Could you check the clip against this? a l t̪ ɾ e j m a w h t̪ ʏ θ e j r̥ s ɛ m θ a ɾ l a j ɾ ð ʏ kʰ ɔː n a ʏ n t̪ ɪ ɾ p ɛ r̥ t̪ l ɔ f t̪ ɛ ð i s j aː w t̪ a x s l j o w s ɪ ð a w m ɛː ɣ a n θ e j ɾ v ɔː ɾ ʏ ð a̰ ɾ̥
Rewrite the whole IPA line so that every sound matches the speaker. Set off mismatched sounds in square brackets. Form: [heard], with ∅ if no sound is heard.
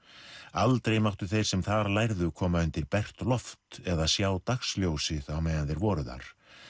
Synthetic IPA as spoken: a l t̪ ɾ e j m a w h t̪ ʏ θ e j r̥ s ɛ m θ a ɾ l a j ɾ ð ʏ kʰ ɔː [m] a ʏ n t̪ ɪ ɾ p ɛ r̥ t̪ l ɔ f t̪ ɛ ð [a] s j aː w t̪ a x s l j o w s ɪ ð a w m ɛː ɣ a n θ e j ɾ v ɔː ɾ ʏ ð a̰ ɾ̥